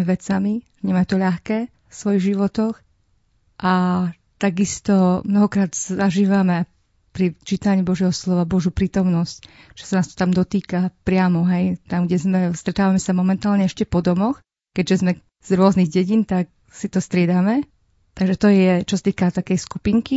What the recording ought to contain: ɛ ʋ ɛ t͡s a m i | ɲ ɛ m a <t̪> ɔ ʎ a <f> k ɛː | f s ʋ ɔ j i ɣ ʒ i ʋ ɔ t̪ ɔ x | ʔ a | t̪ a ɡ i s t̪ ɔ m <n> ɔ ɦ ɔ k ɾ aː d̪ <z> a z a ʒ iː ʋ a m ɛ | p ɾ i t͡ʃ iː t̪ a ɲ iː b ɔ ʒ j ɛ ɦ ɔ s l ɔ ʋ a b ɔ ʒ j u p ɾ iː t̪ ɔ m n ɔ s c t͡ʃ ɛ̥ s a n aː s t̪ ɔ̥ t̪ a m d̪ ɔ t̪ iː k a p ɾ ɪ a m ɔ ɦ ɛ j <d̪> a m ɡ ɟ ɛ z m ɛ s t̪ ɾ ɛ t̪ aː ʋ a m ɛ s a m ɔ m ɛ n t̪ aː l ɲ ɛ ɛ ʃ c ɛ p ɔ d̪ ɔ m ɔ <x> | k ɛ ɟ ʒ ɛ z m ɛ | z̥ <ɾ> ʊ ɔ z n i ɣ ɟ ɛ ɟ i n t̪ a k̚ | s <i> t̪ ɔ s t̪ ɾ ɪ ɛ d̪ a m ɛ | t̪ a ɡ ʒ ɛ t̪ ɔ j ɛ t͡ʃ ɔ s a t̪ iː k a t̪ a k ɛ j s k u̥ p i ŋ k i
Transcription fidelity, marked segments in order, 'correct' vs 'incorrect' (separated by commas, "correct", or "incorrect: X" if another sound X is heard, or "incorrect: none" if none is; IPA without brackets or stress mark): correct, incorrect: x, correct, incorrect: s, incorrect: t̪, correct, correct, correct